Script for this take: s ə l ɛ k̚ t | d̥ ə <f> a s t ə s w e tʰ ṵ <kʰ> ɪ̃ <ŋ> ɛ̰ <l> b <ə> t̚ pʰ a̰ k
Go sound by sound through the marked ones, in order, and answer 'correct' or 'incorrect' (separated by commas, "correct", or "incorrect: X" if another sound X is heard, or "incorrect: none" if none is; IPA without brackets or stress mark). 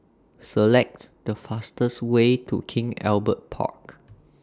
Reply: correct, correct, correct, correct, correct